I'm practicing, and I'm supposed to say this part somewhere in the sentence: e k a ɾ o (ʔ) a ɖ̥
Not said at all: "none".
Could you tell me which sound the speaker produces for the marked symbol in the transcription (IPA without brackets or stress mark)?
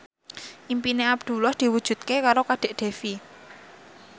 k